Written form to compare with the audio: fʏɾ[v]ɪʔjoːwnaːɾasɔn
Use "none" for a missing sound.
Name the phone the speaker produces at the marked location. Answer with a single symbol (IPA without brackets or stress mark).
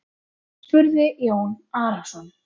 ð